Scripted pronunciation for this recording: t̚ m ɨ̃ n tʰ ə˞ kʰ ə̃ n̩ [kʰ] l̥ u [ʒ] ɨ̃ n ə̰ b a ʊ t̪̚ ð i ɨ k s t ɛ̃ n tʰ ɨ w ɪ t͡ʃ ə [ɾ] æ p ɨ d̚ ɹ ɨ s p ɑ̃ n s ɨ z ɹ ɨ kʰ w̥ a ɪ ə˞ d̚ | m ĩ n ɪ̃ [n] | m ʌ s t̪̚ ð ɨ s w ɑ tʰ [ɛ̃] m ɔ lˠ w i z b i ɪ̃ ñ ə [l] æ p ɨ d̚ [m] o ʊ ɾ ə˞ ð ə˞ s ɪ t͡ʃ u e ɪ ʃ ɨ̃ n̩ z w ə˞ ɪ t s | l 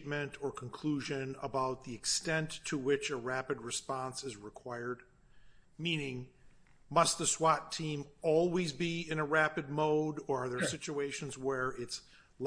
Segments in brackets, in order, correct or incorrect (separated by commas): correct, correct, incorrect, incorrect, incorrect, incorrect, correct